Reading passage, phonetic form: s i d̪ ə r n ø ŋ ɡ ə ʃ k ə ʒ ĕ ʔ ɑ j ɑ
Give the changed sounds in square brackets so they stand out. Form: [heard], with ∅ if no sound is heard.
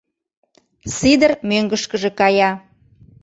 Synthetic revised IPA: s i d̪ ə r [m] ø ŋ ɡ ə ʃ k ə ʒ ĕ [k] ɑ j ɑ